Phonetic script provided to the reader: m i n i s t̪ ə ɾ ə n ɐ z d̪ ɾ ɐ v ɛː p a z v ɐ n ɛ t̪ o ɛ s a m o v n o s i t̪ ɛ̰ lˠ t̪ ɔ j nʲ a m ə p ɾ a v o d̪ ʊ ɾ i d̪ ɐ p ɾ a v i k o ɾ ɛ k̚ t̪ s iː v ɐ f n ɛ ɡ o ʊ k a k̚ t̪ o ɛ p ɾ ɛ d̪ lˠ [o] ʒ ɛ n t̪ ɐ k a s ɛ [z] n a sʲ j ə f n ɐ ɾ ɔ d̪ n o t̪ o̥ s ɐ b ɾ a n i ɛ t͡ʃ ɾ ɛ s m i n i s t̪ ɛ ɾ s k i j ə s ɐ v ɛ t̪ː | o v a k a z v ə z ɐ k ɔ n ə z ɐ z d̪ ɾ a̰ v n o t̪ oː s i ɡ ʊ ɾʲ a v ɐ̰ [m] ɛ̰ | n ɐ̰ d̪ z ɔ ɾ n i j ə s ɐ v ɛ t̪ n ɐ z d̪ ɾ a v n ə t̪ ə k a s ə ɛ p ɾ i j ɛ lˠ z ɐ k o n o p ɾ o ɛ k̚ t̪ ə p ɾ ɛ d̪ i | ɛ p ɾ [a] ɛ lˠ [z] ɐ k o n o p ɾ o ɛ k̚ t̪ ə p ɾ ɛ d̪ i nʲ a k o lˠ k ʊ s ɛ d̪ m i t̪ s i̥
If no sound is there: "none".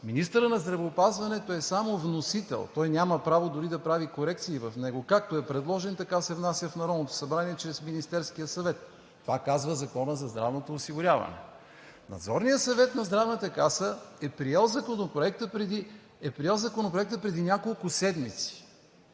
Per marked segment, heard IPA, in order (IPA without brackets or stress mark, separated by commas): ɔ, v, n, i, z